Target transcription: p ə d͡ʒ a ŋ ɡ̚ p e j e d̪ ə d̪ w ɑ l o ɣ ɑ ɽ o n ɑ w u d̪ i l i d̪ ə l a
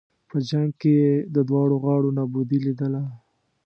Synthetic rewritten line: p ə d͡ʒ a ŋ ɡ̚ k e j e d̪ ə d̪ w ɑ ɽ o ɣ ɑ ɽ o n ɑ b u d̪ i l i d̪ ə l a

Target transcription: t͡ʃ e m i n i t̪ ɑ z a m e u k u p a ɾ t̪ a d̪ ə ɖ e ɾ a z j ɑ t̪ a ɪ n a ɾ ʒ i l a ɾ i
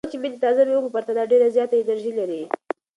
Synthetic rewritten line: t͡ʃ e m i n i t̪ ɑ z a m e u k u p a ɾ t̪ a d̪ ɑ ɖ e ɾ a z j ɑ t̪ a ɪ n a ɾ ʒ i l a ɾ i

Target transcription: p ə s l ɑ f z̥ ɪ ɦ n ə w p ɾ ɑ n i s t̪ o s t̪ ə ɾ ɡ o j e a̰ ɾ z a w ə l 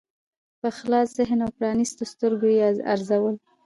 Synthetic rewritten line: p ə x l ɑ s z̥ ɪ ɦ n a w p ɾ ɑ n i s t̪ o s t̪ ə ɾ ɡ o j e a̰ ɾ z a w ə l

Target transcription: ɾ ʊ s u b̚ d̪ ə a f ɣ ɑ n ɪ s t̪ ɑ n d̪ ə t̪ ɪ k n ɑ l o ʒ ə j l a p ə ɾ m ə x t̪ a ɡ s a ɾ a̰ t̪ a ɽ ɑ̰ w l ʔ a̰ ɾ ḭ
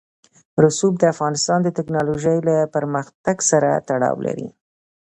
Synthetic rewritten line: ɾ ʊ s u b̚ d̪ ə a f ɣ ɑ n ɪ s t̪ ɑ n d̪ ə t̪ ɪ k n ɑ l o ʒ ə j l a p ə ɾ m ə x t̪ a ɡ s a ɾ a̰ t̪ a ɽ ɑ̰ w l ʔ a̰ ɾ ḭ

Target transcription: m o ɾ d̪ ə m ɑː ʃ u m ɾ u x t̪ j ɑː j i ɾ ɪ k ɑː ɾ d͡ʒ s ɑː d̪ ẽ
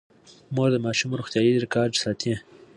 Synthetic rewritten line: m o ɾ d̪ ə m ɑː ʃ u m ɾ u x t̪ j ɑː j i ɾ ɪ k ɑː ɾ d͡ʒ s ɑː t̪ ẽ

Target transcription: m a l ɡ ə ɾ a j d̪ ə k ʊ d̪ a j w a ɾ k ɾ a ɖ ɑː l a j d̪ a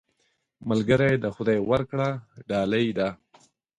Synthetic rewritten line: m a l ɡ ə ɾ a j d̪ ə x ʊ d̪ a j w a ɾ k ɽ a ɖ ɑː l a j d̪ a

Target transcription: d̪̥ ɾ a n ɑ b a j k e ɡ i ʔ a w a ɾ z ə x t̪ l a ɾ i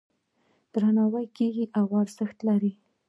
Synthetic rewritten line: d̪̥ ɾ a n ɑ w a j k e ɡ i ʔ a w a ɾ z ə x t̪ l a ɾ i

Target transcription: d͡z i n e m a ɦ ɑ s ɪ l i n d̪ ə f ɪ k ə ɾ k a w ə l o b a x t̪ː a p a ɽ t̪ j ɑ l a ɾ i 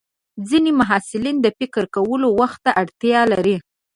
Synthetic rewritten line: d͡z i n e m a ɦ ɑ s ɪ l i n d̪ ə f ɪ k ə ɾ k a w ə l o w a x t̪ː a ʔ a ɽ t̪ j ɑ l a ɾ i

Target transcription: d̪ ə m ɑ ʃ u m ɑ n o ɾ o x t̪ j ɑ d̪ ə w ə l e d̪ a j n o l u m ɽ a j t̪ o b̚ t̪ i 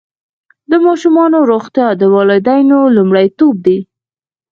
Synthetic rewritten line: d̪ ə m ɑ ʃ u m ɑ n o ɾ o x t̪ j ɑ d̪ ə w ɑ l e d̪ a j n o l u m ɽ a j t̪ o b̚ d̪ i

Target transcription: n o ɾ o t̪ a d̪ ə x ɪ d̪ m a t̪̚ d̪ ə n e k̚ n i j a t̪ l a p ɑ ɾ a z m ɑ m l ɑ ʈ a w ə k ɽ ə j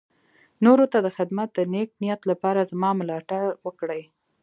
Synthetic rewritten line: n o ɾ o t̪ a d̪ ə x ɪ d̪ m a t̪̚ d̪ ə n e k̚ n i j a t̪ l a p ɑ ɾ a z m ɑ m l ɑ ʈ a w ə k ɽ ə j

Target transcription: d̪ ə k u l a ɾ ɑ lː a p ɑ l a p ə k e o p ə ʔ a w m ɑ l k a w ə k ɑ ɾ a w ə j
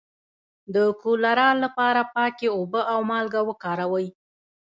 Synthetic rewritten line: d̪ ə k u l a ɾ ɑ lː a p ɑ ɾ a p ɑ k e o b ə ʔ a w m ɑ l ɡ a w ə k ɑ ɾ a w ə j

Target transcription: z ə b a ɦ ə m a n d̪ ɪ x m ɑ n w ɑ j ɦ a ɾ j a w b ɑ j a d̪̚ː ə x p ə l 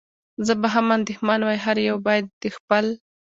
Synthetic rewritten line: z ə b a ɦ a m a n d̪ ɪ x m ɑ n w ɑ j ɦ a ɾ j a w b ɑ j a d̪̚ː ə x p ə l

